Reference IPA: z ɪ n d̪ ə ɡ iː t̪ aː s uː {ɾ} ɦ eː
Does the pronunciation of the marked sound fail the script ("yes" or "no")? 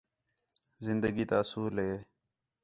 yes